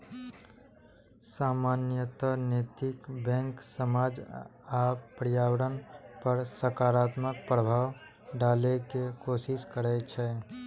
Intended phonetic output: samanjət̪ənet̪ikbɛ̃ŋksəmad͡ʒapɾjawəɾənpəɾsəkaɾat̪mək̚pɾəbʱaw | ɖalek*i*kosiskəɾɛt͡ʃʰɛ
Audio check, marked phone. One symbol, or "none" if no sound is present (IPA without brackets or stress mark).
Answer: e